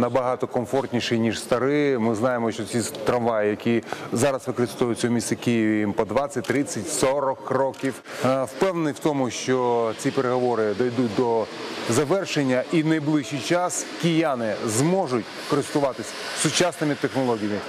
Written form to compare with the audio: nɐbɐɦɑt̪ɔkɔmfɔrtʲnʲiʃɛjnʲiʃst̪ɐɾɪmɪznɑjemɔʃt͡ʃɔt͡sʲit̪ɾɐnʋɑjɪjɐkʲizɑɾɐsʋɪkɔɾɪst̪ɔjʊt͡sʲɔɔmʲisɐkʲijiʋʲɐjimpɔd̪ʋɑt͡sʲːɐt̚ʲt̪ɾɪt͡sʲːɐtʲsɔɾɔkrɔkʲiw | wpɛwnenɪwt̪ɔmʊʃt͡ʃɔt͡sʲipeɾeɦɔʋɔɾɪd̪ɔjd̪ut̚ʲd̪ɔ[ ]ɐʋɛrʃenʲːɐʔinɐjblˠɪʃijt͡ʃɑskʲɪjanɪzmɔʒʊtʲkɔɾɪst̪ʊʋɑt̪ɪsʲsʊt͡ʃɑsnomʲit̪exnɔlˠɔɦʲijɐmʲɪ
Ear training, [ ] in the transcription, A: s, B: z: B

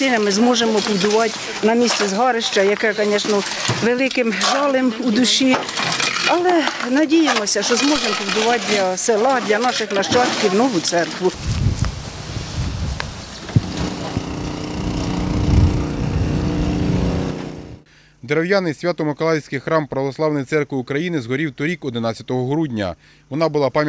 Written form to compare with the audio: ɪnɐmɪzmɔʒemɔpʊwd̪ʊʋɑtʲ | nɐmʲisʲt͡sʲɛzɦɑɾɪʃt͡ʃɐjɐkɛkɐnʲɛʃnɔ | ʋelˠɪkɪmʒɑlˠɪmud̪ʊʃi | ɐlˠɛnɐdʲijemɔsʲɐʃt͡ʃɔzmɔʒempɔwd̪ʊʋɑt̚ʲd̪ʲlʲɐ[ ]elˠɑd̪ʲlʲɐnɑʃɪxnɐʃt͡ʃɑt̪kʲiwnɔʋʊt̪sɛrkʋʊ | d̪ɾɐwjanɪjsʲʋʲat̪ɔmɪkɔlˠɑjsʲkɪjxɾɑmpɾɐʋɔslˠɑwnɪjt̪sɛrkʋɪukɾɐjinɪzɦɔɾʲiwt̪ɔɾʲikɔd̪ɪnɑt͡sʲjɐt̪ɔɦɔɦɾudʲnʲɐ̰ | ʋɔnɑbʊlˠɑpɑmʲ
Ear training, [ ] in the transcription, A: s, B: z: A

